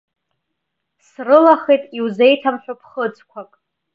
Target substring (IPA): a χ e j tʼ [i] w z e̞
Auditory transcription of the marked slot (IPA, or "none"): i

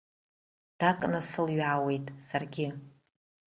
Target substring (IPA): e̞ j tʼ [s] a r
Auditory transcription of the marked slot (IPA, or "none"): s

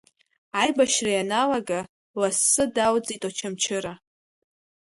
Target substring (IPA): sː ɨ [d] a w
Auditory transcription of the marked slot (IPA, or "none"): d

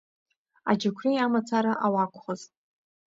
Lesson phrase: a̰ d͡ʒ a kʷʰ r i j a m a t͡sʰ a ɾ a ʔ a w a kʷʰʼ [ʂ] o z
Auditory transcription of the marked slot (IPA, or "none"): χ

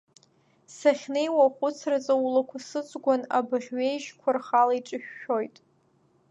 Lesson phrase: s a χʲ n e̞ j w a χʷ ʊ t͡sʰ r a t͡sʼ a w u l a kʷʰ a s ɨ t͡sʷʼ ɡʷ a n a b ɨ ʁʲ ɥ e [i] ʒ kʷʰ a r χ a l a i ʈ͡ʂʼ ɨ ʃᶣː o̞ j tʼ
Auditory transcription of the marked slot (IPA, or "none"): j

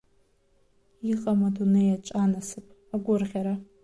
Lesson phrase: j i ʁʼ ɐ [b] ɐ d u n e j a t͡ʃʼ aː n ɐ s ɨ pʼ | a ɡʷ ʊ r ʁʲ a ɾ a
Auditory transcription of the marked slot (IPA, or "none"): m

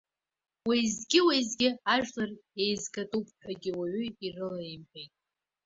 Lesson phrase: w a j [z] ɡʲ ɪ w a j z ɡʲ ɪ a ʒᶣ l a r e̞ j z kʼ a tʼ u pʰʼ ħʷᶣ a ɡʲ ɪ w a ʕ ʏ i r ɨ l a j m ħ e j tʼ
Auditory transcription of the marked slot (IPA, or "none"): z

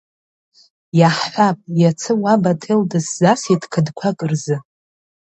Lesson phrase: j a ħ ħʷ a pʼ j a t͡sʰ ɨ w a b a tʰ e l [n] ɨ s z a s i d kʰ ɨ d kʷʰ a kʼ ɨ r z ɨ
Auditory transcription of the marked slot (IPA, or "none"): d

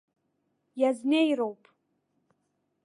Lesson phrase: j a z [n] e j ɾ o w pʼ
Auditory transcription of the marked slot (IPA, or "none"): n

